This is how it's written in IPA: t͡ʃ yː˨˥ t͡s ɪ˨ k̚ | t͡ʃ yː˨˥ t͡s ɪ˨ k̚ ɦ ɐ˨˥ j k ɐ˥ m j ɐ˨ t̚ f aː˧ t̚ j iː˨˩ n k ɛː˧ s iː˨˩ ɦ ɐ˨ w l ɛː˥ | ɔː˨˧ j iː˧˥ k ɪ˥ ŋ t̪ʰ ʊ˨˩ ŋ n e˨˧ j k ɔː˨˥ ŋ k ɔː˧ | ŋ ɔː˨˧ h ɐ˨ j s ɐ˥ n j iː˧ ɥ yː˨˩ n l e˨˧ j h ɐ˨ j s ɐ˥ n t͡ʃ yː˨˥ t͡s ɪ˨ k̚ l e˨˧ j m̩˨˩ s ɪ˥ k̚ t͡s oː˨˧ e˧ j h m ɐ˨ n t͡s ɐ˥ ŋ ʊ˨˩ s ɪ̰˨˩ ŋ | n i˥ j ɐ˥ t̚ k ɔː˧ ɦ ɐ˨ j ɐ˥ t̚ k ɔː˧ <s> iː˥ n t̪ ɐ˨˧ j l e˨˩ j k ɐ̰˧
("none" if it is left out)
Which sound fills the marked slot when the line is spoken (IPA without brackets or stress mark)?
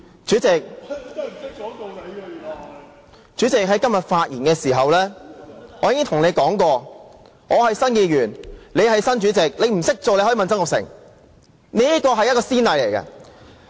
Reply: s